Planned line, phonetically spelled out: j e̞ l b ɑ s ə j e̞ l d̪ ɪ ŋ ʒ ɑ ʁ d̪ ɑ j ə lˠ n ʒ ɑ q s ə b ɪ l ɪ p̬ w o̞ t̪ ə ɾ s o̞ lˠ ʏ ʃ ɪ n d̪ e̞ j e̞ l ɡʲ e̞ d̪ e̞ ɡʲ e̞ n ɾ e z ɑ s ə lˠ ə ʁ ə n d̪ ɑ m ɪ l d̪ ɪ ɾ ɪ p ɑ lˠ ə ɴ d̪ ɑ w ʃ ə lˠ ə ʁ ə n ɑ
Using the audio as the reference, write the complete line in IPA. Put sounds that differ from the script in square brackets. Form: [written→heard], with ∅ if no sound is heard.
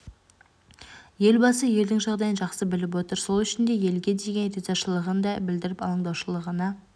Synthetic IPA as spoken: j e̞ l b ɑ s ə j e̞ l d̪ ɪ ŋ ʒ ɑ ʁ d̪ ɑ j ə [lˠ→∅] n ʒ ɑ q s ə b ɪ l ɪ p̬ w o̞ t̪ ə ɾ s o̞ lˠ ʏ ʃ ɪ n d̪ e̞ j e̞ l ɡʲ e̞ d̪ e̞ ɡʲ e̞ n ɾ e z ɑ [s→ʃ] ə lˠ ə ʁ ə n d̪ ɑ [m→b] ɪ l d̪ ɪ ɾ ɪ p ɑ lˠ ə ɴ d̪ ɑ w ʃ ə lˠ ə ʁ ə n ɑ